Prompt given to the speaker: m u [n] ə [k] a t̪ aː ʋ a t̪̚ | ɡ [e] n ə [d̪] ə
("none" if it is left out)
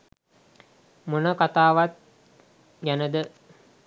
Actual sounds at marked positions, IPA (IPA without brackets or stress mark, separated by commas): n, k, æ, d̪